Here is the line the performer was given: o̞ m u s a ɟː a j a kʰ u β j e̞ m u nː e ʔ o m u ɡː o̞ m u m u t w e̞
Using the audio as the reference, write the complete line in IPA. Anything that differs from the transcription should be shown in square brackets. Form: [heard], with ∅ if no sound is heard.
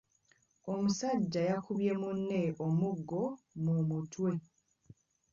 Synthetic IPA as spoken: o̞ m u s a ɟː a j a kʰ u β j e̞ m u nː e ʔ o m u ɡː o̞ m u m u t w e̞